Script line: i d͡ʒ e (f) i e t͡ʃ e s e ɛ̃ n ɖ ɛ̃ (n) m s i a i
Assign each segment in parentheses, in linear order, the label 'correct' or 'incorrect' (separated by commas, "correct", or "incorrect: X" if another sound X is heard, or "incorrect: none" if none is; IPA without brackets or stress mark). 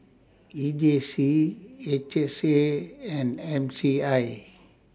incorrect: s, incorrect: none